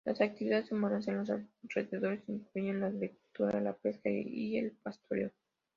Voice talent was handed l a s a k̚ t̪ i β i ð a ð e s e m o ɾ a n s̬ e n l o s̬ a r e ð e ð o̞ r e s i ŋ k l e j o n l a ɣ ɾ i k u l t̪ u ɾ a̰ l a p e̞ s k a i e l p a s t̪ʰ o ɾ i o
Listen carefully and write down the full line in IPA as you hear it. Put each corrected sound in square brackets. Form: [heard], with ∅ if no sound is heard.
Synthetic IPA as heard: l a s a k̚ t̪ i β i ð a ð e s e m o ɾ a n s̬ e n l o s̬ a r e ð e ð o̞ [ɾ] e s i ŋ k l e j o n l a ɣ ɾ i k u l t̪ u ɾ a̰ l a p e̞ s k a i e l p a s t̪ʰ o ɾ [e] o